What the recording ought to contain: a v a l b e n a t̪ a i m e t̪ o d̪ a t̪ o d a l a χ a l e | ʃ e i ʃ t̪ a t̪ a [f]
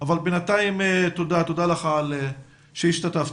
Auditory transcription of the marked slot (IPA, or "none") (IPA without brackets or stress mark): f